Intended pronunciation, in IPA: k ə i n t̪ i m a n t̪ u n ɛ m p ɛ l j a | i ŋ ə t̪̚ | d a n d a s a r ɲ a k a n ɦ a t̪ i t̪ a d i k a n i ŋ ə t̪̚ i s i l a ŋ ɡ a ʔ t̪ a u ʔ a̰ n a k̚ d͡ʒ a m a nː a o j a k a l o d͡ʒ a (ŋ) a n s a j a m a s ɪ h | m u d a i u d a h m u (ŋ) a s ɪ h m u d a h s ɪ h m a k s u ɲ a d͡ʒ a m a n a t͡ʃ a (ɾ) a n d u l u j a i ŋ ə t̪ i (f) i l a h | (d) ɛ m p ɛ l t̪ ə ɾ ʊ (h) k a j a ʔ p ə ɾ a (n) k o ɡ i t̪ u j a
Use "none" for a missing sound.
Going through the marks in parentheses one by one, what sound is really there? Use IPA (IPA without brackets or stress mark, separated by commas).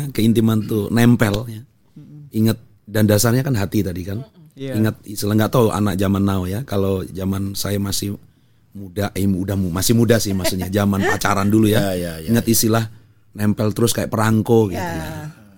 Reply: m, m, ɾ, s, n, s, ŋ